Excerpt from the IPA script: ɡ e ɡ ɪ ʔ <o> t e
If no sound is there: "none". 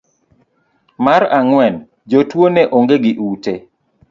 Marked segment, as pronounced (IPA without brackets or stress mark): u